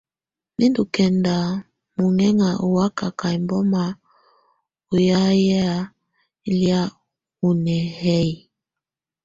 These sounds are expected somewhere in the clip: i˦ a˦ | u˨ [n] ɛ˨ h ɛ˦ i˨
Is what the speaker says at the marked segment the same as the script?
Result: yes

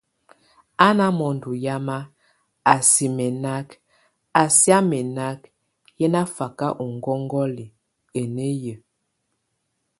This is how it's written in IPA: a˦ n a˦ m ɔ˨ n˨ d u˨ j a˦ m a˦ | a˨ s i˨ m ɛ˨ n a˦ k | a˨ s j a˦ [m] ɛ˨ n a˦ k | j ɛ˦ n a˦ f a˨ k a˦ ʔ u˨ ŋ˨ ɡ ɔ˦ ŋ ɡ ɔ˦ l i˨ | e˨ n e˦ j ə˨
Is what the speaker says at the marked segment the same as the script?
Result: yes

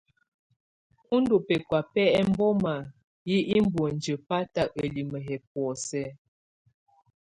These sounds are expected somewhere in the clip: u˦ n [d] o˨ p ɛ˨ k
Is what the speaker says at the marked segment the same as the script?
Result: yes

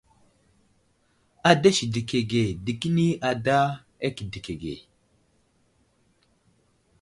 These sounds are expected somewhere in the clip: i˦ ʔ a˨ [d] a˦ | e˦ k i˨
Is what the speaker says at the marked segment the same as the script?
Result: yes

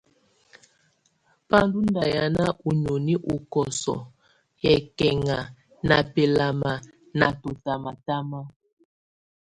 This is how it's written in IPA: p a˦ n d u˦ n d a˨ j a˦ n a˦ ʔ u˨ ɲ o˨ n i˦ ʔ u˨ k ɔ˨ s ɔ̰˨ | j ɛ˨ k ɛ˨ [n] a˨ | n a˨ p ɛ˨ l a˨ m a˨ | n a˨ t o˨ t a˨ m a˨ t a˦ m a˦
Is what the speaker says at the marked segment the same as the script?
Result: no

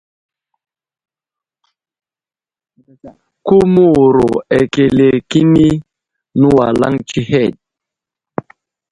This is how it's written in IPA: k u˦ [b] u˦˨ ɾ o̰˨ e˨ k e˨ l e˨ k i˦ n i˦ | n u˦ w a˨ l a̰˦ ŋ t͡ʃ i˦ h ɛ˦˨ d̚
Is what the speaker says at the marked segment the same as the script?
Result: no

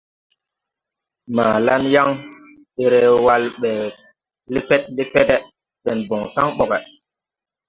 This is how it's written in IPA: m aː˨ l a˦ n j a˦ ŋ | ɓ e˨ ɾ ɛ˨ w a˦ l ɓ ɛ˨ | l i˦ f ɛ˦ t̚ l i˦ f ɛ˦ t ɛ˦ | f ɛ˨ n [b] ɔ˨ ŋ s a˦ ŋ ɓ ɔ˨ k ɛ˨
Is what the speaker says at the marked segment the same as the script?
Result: yes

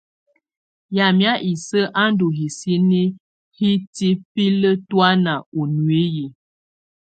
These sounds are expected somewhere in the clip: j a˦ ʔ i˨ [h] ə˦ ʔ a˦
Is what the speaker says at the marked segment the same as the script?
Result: no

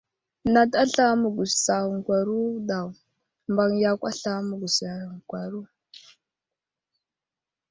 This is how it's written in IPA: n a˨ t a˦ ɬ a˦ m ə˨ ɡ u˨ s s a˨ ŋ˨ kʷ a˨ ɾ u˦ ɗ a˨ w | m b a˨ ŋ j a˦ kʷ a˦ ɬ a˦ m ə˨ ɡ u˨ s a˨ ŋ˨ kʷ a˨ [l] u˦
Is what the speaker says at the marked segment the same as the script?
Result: no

